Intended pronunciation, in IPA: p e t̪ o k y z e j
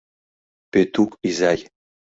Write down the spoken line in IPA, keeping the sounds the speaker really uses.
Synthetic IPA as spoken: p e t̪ u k i z a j